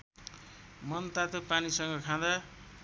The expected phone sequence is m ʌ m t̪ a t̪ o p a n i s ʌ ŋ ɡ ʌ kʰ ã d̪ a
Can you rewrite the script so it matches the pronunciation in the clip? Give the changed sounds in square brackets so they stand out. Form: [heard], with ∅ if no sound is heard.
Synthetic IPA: m ʌ [n] t̪ a t̪ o p a n i s ʌ ŋ ɡ ʌ kʰ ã d̪ a